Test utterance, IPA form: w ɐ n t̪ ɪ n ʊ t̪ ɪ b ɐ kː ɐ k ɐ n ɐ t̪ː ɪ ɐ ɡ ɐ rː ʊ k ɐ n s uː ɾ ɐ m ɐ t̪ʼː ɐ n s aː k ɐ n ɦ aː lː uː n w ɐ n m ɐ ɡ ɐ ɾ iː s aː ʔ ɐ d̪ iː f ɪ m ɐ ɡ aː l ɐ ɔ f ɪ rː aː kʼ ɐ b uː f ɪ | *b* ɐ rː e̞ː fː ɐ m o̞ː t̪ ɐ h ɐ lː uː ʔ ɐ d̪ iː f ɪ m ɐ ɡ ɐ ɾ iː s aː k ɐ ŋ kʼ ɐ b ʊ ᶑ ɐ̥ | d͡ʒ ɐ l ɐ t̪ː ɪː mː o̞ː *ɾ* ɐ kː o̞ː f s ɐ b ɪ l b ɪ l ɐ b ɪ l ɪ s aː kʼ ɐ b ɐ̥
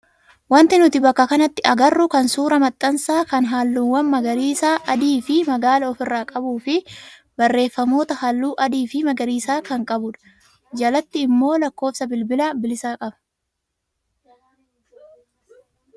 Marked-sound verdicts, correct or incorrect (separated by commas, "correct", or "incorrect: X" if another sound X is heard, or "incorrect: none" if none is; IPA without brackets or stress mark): correct, incorrect: l